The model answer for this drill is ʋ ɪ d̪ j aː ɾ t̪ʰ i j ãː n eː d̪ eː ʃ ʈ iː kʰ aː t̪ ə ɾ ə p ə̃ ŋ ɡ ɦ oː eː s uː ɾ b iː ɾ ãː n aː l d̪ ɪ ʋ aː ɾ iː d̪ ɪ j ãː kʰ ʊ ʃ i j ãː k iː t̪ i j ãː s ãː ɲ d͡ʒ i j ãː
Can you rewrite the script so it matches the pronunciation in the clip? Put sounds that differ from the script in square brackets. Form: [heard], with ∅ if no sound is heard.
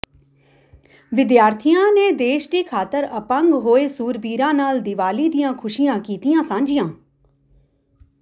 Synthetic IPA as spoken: ʋ ɪ d̪ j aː ɾ t̪ʰ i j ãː n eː d̪ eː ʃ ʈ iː kʰ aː t̪ ə ɾ ə p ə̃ ŋ ɡ ɦ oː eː s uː ɾ b iː ɾ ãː n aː l d̪ ɪ ʋ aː [l] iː d̪ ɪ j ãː kʰ ʊ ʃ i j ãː k iː t̪ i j ãː s ãː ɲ d͡ʒ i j ãː